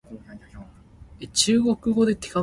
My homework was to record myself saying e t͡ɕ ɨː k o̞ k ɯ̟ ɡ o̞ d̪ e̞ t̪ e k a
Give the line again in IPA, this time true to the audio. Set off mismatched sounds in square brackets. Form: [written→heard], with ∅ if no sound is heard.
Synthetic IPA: e t͡ɕ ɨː [k→ɡ] o̞ k ɯ̟ ɡ o̞ d̪ e̞ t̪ e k a